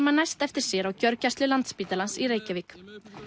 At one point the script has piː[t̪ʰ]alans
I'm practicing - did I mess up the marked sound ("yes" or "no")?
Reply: yes